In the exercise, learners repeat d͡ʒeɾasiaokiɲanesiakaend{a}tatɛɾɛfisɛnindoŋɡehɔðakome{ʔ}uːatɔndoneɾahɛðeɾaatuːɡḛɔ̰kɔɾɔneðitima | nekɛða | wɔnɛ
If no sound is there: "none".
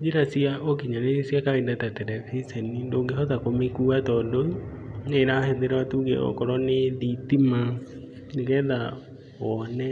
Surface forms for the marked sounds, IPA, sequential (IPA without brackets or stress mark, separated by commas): a, k